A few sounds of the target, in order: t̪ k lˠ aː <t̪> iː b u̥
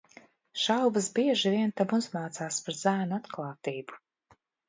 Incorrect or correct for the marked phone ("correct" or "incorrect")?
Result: correct